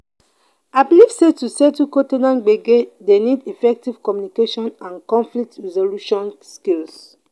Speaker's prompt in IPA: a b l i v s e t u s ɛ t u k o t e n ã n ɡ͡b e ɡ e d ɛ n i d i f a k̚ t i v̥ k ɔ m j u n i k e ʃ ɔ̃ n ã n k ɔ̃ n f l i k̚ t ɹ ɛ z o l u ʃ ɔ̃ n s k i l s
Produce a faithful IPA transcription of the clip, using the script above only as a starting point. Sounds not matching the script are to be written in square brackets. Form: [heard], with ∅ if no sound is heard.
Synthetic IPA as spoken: a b l i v s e t u s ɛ t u k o t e n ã n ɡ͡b e ɡ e d [e] n i d i f [ɛ] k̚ t i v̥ k ɔ m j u n i k e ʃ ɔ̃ n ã n k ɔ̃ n f l i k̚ t ɹ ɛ z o l u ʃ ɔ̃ n s k i l s